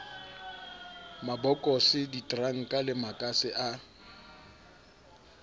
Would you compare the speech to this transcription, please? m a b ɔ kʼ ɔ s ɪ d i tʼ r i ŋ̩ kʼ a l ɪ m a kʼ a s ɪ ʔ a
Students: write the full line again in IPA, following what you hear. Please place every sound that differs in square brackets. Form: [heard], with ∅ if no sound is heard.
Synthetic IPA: m a b ɔ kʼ ɔ s ɪ d i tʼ r [a] ŋ̩ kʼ a l ɪ m a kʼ a s ɪ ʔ a